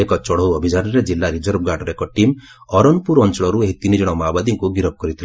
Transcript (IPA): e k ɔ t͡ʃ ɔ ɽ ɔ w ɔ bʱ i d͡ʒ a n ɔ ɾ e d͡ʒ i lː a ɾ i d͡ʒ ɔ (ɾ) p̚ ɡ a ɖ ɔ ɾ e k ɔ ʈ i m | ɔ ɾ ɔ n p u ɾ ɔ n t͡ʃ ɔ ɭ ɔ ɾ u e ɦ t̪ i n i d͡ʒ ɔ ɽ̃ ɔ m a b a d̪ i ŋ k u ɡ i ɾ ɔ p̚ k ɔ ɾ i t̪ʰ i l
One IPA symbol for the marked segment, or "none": ɾ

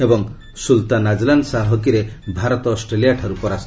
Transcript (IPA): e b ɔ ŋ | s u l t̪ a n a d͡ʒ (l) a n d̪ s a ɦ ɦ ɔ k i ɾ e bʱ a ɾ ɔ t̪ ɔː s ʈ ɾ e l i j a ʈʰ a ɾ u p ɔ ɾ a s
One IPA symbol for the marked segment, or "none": l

